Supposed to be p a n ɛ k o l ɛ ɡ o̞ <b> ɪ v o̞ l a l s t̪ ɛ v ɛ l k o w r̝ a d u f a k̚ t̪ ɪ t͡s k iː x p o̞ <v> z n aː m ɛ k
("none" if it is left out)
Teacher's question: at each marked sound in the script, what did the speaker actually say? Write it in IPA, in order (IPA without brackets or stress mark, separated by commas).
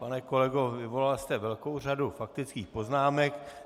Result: v, none